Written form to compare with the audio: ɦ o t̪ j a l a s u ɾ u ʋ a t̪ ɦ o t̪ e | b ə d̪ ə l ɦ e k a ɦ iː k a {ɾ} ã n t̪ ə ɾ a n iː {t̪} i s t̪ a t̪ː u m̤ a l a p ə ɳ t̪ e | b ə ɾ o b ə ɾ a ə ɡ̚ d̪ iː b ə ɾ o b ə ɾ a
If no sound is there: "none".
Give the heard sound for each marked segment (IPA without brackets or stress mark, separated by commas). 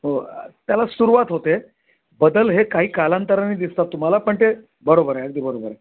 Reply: l, d̪